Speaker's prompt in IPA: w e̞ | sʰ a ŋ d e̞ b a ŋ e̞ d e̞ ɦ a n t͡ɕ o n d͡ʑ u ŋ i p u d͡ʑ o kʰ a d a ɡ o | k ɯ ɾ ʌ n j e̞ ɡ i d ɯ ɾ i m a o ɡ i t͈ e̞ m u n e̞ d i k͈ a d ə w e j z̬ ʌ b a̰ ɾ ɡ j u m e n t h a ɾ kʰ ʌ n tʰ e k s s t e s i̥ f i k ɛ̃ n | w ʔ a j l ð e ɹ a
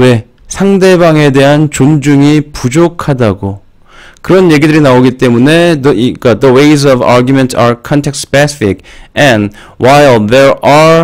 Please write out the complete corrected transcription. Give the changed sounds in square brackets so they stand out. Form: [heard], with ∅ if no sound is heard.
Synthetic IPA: w e̞ | sʰ a ŋ d e̞ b a ŋ e̞ d e̞ ɦ a n t͡ɕ o n d͡ʑ u ŋ i p u d͡ʑ o kʰ a d a ɡ o | k ɯ ɾ ʌ n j e̞ ɡ i d ɯ ɾ i [n] a o ɡ i t͈ e̞ m u n e̞ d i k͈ a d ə w e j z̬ ʌ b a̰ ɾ ɡ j u m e n t [s] a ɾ kʰ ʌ n tʰ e k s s [p] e s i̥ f i k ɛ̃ n | w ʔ a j l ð e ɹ a